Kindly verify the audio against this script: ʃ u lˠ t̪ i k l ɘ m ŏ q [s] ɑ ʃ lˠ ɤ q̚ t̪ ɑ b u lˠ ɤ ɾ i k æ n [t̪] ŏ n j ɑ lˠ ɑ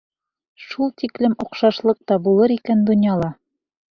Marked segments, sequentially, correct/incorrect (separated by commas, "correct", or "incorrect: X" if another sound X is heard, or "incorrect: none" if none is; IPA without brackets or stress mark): incorrect: ʃ, incorrect: d̪